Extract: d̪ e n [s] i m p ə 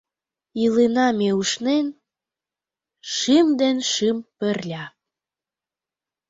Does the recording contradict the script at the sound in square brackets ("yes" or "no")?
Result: yes